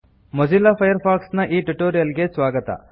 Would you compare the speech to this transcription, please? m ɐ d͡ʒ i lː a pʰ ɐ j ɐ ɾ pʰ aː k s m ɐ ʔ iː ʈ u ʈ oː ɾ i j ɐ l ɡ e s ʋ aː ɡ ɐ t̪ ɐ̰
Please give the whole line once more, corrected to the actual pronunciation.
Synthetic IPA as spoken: m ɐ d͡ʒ i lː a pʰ ɐ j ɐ ɾ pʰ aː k s n ɐ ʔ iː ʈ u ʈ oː ɾ i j ɐ l ɡ e s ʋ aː ɡ ɐ t̪ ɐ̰